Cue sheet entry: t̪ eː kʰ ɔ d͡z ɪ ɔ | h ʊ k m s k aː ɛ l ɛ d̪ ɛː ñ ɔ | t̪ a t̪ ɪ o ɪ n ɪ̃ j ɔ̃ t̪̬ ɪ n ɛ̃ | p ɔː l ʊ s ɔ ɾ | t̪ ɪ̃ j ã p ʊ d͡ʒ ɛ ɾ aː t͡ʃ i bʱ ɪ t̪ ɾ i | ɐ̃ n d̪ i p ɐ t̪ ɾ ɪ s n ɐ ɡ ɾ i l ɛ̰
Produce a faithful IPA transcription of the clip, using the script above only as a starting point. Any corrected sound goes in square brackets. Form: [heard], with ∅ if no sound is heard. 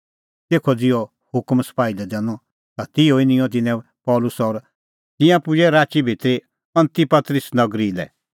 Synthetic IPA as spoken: t̪ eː kʰ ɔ d͡z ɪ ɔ | h ʊ k m s [p] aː [i] l ɛ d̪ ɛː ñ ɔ | t̪ a t̪ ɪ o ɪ n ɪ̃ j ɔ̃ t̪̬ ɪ n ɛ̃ | p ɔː l ʊ s ɔ ɾ | t̪ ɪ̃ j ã p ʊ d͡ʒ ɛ ɾ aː t͡ʃ i bʱ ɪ t̪ ɾ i | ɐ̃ n [t̪] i p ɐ t̪ ɾ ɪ s n ɐ ɡ ɾ i l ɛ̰